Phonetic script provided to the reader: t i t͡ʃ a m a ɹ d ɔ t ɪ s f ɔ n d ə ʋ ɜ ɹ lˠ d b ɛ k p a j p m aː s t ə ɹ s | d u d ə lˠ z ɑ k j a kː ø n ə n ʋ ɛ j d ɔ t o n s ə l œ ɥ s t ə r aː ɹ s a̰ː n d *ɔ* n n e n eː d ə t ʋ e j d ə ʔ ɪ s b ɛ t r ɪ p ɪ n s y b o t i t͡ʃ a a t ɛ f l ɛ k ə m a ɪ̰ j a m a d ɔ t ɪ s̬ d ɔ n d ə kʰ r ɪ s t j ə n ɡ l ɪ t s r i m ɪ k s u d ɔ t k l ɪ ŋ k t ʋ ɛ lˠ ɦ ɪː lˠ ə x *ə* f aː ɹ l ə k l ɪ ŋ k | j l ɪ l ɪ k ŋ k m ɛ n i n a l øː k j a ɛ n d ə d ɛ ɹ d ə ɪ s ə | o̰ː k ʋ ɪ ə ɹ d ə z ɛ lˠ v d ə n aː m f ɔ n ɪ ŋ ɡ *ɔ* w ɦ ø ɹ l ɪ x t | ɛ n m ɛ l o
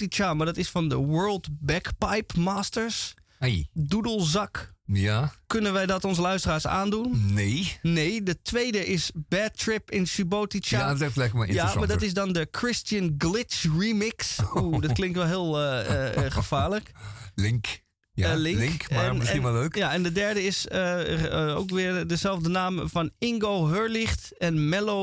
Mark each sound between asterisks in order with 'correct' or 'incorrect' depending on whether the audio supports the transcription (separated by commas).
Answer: incorrect, correct, incorrect